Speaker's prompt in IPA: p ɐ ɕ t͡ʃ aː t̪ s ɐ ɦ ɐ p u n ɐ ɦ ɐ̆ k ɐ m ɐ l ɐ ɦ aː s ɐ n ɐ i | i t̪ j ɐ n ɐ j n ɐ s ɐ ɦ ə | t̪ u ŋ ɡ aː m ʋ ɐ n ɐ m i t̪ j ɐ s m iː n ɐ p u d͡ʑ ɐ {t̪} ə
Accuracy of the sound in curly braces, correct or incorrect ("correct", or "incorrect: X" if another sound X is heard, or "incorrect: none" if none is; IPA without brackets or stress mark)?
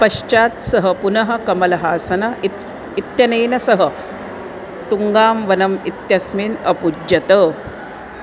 correct